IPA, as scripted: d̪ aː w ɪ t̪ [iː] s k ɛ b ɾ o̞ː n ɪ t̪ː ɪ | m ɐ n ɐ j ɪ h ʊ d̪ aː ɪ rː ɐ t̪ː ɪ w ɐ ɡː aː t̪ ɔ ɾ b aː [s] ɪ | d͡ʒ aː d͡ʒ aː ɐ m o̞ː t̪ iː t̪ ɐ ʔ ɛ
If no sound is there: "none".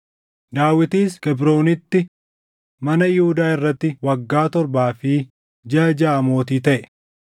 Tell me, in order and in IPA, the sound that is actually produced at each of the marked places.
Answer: iː, f

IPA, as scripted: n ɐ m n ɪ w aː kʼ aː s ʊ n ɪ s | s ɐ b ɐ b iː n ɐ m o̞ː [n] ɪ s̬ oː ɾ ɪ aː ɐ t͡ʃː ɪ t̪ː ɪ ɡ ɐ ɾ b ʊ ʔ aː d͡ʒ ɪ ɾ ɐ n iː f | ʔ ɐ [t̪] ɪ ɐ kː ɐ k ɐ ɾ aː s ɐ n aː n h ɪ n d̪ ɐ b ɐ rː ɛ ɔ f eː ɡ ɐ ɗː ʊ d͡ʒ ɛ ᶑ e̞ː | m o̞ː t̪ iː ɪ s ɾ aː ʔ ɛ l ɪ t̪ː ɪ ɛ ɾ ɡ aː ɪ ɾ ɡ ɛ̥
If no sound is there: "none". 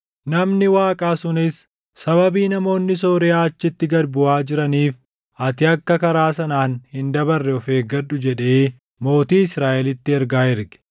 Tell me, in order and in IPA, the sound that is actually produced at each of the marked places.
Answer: nː, t̪

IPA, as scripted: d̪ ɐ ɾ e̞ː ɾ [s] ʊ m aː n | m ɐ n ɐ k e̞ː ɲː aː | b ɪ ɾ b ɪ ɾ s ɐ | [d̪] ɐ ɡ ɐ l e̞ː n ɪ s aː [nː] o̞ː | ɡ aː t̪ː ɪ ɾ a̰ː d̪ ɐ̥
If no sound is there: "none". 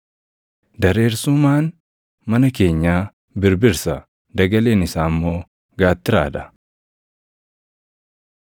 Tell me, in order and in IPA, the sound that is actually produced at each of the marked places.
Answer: s, d̪, mː

